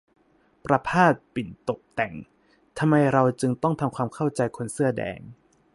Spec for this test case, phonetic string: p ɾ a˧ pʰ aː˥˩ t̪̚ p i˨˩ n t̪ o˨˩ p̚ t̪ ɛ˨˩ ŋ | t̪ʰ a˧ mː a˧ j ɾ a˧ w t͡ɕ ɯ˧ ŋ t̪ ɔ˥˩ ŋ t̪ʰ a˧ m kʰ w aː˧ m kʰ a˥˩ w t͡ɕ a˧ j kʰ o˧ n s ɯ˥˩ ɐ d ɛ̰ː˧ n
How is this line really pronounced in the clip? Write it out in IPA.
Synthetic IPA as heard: p ɾ a˧ pʰ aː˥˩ t̪̚ p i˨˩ n t̪ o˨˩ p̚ t̪ ɛ˨˩ ŋ | t̪ʰ a˧ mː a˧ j ɾ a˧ w t͡ɕ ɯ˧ ŋ t̪ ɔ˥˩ ŋ t̪ʰ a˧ m kʰ w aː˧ m kʰ a˥˩ w t͡ɕ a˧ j kʰ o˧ n s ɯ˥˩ ɐ d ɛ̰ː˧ ŋ